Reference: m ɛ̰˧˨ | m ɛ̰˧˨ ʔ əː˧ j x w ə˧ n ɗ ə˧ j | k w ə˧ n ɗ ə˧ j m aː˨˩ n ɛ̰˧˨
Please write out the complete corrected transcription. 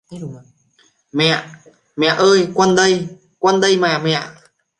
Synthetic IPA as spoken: m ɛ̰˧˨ | m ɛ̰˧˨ ʔ əː˧ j k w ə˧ n ɗ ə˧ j | k w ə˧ n ɗ ə˧ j m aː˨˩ m ɛ̰˧˨